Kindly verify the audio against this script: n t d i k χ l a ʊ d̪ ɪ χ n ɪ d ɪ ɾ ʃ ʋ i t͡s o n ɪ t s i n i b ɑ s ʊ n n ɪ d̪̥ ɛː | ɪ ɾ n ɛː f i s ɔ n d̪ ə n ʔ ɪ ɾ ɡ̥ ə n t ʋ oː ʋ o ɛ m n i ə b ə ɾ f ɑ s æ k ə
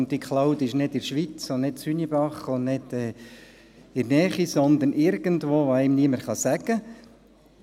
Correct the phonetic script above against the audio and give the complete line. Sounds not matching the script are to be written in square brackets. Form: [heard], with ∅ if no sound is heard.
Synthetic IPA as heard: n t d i k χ l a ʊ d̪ ɪ [ʃ] n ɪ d ɪ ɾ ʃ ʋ i t͡s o n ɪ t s [y] n i b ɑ [χ] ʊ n n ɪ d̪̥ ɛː | ɪ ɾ n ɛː [χ] i s ɔ n d̪ ə n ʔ ɪ ɾ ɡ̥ ə n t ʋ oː ʋ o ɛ m n i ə [m] ə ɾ [χ] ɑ s æ [ɡ] ə